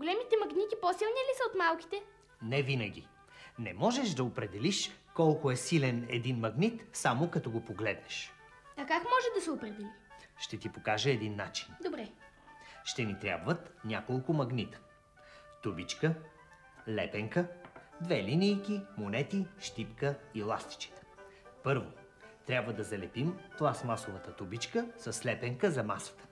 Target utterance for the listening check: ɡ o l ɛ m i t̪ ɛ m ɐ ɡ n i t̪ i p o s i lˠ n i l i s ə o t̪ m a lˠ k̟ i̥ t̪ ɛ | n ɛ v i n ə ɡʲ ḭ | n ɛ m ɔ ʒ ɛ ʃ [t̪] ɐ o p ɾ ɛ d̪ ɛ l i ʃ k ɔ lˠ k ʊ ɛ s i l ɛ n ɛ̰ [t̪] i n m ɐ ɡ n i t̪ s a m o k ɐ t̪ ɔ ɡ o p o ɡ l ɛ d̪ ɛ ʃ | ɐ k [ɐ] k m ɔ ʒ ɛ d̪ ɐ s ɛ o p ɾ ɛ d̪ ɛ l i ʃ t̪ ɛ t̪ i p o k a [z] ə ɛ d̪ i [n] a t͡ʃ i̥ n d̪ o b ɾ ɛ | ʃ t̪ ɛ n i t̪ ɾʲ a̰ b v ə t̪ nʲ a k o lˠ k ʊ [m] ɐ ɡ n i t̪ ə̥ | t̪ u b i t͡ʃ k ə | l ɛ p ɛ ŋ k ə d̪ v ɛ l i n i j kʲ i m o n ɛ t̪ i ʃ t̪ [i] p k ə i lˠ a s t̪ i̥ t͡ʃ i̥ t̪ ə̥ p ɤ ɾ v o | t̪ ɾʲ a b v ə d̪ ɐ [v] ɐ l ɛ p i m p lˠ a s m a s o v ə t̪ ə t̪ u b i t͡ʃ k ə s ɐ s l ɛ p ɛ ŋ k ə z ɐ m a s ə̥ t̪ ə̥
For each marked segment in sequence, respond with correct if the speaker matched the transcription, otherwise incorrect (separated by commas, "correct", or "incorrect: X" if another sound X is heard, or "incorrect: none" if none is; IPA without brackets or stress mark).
incorrect: d̪, incorrect: d̪, incorrect: a, incorrect: ʒ, incorrect: nː, correct, correct, incorrect: z